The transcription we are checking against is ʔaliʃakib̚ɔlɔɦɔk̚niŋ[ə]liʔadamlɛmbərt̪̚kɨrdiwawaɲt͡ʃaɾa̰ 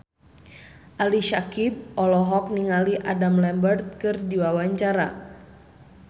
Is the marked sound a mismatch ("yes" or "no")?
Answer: yes